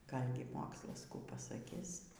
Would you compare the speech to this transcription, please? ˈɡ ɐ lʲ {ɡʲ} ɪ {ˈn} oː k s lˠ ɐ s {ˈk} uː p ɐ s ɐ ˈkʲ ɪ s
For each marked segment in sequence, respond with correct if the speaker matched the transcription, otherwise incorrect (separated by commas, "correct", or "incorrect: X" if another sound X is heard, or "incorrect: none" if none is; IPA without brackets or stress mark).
correct, incorrect: m, correct